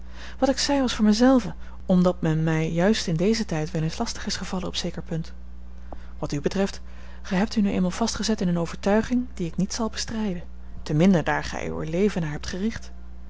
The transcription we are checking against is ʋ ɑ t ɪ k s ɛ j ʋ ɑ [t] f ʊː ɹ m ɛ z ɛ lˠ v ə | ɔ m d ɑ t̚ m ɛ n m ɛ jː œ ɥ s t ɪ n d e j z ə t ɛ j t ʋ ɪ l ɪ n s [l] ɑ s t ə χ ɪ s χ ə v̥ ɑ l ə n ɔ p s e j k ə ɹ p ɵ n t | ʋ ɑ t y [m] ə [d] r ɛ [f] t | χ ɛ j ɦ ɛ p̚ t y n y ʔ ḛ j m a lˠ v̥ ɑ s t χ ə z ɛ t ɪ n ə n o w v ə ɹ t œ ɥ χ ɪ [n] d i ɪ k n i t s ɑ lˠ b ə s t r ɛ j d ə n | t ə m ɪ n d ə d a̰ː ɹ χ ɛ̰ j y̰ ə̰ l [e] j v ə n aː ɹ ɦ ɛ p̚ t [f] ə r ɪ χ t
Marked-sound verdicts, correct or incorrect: incorrect: s, correct, incorrect: b, incorrect: t, correct, incorrect: ŋ, correct, incorrect: χ

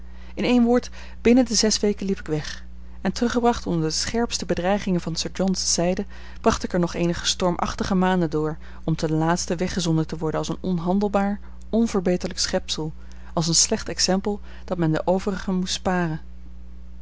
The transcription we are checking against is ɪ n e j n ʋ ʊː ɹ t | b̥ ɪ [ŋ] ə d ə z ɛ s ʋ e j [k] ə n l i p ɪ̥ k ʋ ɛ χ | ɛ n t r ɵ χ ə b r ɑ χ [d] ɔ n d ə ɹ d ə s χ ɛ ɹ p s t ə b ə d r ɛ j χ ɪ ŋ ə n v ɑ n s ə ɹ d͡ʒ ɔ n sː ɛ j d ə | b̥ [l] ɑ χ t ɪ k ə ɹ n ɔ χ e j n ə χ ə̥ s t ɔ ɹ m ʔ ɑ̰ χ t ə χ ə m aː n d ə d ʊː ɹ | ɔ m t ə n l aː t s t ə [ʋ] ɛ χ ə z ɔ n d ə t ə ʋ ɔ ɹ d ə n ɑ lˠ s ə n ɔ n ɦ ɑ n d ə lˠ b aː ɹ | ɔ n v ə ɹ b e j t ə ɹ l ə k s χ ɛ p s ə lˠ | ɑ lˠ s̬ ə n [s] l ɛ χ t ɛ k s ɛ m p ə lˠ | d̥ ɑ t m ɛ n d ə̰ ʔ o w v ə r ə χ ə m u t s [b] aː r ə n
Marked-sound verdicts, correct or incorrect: incorrect: n, correct, incorrect: t, incorrect: r, correct, correct, incorrect: p

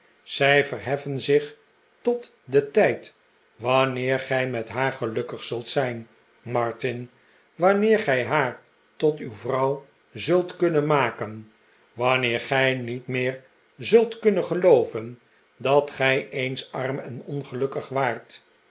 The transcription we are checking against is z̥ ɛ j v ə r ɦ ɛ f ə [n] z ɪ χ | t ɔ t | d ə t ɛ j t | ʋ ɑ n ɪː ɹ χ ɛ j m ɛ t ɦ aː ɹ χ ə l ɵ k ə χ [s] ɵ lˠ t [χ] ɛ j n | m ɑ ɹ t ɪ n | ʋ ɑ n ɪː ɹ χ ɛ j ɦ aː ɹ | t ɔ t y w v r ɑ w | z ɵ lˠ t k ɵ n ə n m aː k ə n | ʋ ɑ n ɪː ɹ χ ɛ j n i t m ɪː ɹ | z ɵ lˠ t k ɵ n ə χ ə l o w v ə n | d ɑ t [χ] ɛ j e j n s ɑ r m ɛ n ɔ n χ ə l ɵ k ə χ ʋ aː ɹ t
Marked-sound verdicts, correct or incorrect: correct, correct, incorrect: s, correct

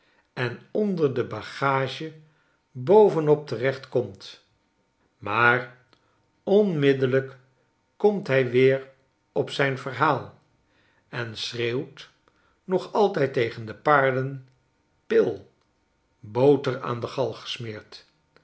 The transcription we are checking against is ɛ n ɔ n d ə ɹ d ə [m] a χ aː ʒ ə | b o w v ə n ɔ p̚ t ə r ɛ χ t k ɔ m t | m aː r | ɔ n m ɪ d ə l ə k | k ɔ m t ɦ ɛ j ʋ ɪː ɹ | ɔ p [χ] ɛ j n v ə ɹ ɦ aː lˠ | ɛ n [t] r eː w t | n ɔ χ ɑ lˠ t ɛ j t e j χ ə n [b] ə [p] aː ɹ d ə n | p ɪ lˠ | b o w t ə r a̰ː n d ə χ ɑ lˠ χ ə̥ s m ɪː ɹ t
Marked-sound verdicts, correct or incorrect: incorrect: b, incorrect: s, incorrect: s, incorrect: d, correct

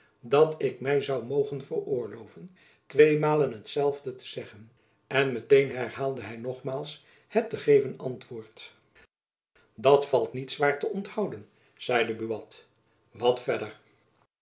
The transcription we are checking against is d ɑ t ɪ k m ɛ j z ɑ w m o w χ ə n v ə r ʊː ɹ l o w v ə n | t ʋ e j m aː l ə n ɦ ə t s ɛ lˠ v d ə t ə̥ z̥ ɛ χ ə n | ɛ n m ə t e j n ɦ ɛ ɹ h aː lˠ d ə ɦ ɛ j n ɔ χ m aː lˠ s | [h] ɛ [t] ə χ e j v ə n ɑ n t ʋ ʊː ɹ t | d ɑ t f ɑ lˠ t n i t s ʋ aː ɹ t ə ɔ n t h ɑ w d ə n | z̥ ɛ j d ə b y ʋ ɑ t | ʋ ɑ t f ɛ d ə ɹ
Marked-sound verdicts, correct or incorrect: correct, correct

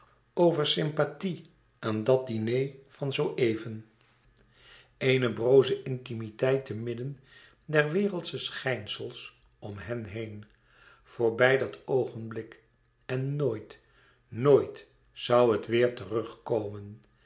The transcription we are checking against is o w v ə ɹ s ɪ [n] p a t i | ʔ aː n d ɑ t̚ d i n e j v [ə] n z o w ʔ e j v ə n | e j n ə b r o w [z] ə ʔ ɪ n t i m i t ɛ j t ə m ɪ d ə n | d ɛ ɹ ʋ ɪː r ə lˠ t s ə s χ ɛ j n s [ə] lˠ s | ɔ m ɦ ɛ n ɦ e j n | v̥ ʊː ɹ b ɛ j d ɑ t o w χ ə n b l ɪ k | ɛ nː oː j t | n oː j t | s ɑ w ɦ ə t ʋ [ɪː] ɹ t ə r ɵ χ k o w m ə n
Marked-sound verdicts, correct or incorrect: incorrect: m, incorrect: ɑ, correct, correct, correct

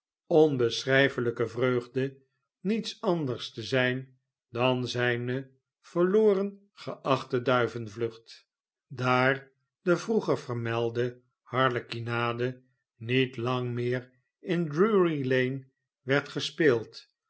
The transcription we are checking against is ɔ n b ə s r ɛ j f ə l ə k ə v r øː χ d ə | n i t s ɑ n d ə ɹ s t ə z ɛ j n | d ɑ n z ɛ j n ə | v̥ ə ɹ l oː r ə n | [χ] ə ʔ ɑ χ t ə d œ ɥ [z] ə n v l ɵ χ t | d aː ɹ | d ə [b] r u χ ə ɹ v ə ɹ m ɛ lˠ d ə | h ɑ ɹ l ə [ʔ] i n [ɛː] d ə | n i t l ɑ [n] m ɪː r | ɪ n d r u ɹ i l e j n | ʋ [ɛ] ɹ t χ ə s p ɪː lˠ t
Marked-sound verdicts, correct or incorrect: correct, incorrect: v, incorrect: v, incorrect: k, incorrect: aː, incorrect: ŋ, correct

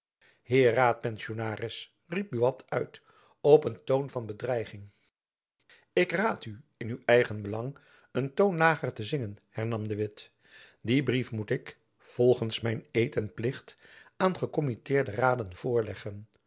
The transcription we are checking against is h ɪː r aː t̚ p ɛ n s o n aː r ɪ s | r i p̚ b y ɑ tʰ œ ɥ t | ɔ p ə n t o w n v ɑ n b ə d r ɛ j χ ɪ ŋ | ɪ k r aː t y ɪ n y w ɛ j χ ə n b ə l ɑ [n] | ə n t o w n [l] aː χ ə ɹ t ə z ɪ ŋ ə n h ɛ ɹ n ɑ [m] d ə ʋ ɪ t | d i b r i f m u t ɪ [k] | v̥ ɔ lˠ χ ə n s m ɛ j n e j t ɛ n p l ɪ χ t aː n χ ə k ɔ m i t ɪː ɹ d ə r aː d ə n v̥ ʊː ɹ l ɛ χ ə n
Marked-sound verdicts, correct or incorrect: incorrect: ŋ, correct, correct, correct

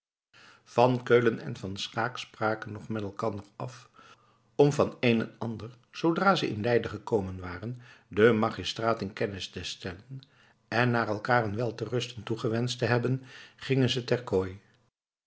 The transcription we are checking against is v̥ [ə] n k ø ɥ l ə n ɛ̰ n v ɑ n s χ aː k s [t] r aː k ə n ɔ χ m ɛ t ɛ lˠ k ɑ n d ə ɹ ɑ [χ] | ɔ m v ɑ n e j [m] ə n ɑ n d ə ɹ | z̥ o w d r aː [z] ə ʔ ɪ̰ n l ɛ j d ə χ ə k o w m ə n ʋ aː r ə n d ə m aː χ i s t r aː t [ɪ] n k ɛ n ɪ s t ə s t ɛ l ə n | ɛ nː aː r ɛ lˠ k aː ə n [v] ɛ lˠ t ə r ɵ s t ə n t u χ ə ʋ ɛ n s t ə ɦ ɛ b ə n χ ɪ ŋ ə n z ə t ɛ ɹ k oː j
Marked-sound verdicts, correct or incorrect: incorrect: ɑ, incorrect: p, incorrect: f, incorrect: n, correct, correct, incorrect: ʋ

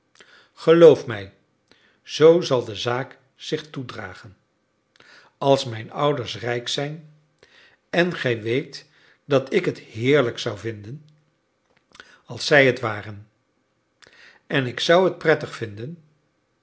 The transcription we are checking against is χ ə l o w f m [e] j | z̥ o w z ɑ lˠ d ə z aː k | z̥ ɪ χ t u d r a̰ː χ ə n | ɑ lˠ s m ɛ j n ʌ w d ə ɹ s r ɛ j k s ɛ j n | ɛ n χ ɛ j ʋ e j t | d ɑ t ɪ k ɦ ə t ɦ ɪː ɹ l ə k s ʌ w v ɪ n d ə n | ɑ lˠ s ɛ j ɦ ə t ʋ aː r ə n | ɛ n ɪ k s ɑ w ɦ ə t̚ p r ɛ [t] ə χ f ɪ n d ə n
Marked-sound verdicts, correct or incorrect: incorrect: ɛ, correct

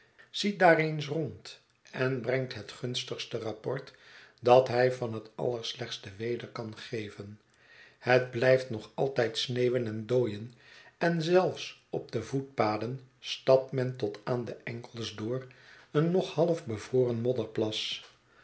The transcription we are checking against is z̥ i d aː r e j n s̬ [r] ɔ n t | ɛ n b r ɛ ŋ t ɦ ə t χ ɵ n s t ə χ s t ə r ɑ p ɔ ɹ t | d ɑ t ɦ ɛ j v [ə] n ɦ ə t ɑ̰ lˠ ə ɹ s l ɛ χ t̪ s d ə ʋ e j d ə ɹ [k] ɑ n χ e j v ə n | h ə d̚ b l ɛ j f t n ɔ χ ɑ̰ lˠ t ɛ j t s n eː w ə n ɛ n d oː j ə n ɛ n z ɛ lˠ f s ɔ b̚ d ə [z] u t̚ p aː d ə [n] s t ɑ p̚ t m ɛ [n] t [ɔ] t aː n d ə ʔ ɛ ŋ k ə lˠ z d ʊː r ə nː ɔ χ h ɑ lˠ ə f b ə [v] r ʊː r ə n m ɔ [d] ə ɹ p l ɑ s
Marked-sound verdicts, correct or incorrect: correct, incorrect: ɑ, correct, incorrect: v, correct, correct, correct, correct, correct

